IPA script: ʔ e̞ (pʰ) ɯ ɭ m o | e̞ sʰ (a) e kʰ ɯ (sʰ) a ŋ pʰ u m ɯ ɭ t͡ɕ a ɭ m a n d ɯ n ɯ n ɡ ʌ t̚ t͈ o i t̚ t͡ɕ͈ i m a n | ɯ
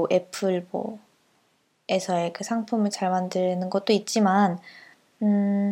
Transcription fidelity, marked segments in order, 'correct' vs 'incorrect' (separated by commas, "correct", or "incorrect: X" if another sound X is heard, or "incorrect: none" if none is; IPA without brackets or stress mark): correct, incorrect: ʌ, correct